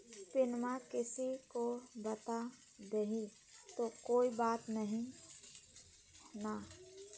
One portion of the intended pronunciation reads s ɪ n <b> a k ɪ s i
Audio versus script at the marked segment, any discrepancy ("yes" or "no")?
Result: yes